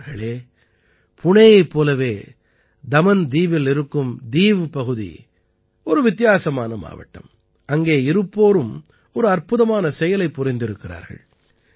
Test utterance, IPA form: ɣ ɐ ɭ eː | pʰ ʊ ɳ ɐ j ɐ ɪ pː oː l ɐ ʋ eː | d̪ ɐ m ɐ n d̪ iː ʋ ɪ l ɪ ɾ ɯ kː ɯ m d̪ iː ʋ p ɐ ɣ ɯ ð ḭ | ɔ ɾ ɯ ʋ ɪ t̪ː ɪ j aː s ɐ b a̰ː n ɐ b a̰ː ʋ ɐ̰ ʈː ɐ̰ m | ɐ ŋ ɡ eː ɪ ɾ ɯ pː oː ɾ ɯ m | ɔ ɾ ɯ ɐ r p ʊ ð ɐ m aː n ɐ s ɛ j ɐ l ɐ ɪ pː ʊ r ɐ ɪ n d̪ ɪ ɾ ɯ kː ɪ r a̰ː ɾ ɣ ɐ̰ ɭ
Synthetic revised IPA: ɣ ɐ ɭ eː | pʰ ʊ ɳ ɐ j ɐ ɪ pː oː l ɐ ʋ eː | d̪ ɐ m ɐ n d̪ iː ʋ ɪ l ɪ ɾ ɯ kː ɯ m d̪ iː ʋ p ɐ ɣ ɯ ð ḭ | ɔ ɾ ɯ ʋ ɪ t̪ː ɪ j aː s ɐ m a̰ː n ɐ m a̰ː ʋ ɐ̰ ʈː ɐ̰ m | ɐ ŋ ɡ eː ɪ ɾ ɯ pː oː ɾ ɯ m | ɔ ɾ ɯ ɐ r p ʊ ð ɐ m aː n ɐ s ɛ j ɐ l ɐ ɪ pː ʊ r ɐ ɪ n d̪ ɪ ɾ ɯ kː ɪ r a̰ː ɾ ɣ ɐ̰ ɭ